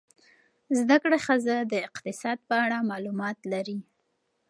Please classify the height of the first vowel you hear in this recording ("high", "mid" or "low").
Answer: low